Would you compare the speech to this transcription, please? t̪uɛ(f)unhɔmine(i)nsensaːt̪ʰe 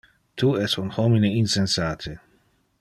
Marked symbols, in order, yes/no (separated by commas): no, yes